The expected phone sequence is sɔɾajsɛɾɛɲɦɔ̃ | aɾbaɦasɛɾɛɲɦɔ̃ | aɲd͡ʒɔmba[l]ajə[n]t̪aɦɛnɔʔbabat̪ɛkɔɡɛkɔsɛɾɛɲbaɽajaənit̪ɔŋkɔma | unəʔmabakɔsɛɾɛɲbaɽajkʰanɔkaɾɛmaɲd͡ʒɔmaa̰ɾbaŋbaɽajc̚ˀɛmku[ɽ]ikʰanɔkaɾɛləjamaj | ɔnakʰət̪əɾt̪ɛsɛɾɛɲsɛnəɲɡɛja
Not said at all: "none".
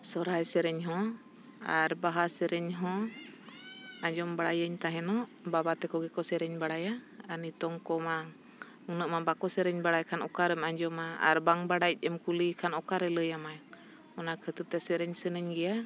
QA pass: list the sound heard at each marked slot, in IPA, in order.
ɽ, ɲ, l

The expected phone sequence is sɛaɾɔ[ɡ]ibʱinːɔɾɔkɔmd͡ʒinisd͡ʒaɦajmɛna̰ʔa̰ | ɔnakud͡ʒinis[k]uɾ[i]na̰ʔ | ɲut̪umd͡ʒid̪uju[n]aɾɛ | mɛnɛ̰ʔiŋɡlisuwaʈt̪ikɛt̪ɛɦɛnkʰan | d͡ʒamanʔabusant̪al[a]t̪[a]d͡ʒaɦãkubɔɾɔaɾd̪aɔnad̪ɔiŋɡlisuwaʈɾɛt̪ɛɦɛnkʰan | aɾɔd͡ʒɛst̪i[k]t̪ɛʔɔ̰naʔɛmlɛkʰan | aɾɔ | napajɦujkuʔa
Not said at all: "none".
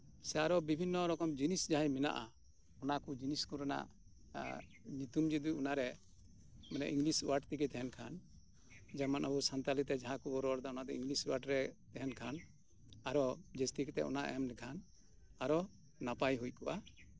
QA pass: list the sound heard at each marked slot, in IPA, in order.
b, k, a, n, i, ɛ, k

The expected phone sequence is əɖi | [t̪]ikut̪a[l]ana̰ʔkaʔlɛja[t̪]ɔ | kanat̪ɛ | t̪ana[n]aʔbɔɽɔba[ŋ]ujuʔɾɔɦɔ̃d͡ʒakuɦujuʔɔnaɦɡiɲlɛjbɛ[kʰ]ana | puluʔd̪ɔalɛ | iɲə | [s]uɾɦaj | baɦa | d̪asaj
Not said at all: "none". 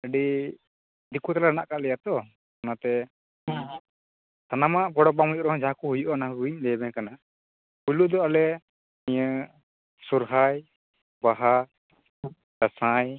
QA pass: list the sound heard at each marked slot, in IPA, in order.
d̪, l, t̪, m, m, k, s

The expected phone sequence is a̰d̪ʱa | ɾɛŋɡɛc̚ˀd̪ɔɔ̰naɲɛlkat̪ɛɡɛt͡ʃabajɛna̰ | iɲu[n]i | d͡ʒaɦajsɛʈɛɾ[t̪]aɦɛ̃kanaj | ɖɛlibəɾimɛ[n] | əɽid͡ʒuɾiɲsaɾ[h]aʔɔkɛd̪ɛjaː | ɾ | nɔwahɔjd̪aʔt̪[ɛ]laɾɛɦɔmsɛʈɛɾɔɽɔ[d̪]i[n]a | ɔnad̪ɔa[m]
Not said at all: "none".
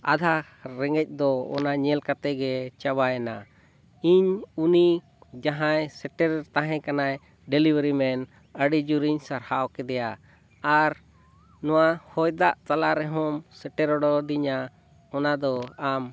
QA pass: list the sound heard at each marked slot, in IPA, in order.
n, t̪, n, h, a, d̪, ɲ, m

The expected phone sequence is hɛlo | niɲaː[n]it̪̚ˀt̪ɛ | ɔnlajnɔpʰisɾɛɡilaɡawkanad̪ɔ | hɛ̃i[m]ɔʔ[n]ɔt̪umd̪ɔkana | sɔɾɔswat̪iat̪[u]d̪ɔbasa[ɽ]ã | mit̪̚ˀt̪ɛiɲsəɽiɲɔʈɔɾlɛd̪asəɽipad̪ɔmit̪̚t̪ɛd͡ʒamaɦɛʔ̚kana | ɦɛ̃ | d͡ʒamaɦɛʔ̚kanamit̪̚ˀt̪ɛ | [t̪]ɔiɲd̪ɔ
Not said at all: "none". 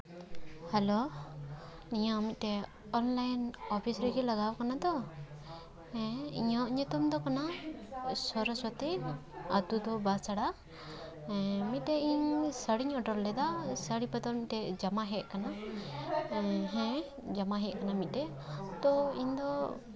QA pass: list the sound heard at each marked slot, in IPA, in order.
m, ɲ, ɲ, u, ɽ, t̪

